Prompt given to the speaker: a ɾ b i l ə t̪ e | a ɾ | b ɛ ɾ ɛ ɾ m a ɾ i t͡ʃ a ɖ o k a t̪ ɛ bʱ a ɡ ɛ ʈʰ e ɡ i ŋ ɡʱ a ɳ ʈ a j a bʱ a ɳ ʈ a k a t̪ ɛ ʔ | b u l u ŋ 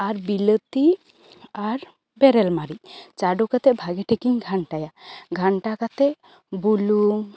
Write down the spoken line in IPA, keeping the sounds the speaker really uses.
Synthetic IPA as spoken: a ɾ b i l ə t̪ i | a ɾ | b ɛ ɾ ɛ l m a ɾ i t͡ʃ a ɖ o k a t̪ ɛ bʱ a ɡ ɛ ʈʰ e k i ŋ ɡʱ a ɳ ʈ a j a ɡʱ a ɳ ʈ a k a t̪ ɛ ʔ | b u l u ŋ